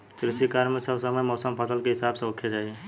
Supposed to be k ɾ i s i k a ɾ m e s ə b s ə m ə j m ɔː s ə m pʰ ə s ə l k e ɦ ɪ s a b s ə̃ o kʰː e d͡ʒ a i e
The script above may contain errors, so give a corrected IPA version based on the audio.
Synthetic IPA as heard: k ɾ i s i k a ɾ m e s ə b s ə m ə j m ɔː s ə m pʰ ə s ə l k e ɦ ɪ s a b s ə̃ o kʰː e d͡ʒ a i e